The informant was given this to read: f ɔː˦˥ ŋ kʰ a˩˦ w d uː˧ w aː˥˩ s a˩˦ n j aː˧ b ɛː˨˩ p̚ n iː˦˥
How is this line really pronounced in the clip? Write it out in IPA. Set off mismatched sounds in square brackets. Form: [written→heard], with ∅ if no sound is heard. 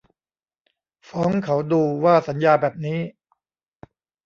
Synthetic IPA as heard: f ɔː˦˥ ŋ kʰ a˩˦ w d uː˧ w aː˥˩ s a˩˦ n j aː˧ b ɛː˨˩ p̚ n iː˦˥